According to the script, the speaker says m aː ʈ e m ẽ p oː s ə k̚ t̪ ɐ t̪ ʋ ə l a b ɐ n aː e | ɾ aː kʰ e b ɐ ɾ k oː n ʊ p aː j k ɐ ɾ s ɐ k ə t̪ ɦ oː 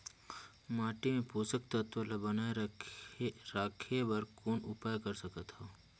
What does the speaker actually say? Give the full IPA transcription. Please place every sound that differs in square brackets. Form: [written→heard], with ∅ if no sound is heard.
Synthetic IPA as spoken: m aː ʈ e m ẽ p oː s ə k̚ t̪ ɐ t̪ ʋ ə l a b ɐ n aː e | ɾ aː kʰ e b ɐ ɾ k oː n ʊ p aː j k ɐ ɾ s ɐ k ə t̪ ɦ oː